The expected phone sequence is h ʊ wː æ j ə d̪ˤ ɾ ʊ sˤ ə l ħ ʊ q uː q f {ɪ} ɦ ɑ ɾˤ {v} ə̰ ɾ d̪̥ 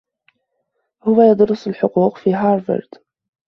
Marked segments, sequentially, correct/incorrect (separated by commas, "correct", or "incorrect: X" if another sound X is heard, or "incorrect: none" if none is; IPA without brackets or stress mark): incorrect: i, correct